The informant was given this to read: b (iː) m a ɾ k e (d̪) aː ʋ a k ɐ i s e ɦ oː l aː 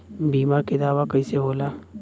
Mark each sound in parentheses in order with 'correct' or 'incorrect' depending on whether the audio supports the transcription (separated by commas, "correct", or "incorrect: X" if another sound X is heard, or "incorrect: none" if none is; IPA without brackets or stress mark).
correct, correct